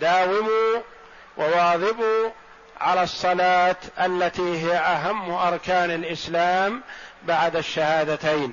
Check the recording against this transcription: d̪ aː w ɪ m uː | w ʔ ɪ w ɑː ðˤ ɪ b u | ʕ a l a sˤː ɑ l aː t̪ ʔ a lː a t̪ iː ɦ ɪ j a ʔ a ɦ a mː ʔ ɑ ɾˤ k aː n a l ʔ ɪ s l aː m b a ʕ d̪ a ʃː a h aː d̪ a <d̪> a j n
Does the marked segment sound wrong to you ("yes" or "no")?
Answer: yes